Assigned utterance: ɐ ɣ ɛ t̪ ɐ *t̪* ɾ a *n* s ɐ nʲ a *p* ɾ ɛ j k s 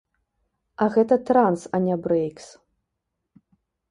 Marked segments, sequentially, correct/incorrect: correct, correct, incorrect

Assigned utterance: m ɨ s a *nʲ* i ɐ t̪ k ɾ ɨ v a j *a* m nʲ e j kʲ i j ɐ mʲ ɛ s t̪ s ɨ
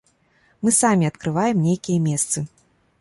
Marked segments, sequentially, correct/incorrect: incorrect, incorrect

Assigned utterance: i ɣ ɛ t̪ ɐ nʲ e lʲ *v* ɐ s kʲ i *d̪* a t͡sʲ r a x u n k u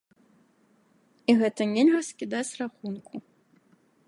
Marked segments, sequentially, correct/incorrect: incorrect, correct

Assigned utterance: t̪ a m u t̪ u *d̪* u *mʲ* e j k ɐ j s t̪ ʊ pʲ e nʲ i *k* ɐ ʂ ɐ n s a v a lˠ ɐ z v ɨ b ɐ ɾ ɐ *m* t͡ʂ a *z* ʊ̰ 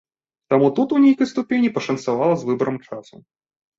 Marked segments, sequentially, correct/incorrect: incorrect, incorrect, incorrect, correct, incorrect

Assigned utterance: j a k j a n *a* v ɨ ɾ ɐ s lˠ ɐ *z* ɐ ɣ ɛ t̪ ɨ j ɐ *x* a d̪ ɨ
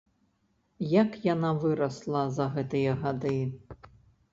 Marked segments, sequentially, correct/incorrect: correct, correct, incorrect

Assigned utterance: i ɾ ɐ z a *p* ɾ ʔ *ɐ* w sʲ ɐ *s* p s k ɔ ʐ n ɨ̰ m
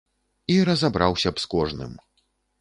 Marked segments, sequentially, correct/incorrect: incorrect, incorrect, incorrect

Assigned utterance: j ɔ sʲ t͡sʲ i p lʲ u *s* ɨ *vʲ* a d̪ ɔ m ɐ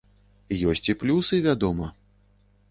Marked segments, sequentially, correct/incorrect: correct, correct

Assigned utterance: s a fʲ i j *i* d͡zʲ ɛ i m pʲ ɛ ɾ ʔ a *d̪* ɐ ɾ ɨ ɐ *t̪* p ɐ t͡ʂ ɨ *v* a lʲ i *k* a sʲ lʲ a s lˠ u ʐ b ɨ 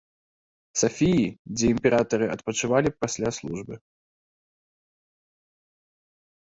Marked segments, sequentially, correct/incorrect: correct, incorrect, correct, correct, incorrect

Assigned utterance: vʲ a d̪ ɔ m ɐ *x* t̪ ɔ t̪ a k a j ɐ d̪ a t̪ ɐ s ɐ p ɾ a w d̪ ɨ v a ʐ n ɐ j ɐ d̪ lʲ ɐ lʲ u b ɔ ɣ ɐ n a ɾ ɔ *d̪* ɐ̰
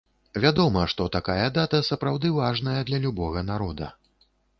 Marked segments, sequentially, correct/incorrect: incorrect, correct

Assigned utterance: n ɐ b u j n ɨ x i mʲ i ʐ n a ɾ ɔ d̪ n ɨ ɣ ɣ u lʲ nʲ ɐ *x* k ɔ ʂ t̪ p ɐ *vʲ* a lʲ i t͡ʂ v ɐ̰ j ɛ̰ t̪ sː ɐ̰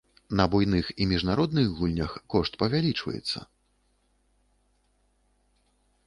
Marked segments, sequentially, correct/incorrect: correct, correct

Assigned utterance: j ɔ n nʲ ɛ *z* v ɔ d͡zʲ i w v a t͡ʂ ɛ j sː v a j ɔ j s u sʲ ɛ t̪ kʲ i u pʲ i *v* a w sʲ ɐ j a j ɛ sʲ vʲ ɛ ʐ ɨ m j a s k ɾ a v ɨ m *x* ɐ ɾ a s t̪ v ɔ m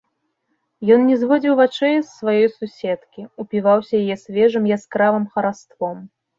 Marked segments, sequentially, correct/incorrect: correct, correct, correct

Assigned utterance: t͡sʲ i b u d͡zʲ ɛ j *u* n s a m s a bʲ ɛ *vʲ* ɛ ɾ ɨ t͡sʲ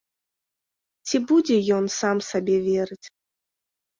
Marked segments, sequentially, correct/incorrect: incorrect, correct

